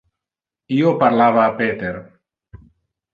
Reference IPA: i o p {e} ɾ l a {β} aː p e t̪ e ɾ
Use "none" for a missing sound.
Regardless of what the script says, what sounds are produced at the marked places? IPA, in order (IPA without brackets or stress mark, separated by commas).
a, β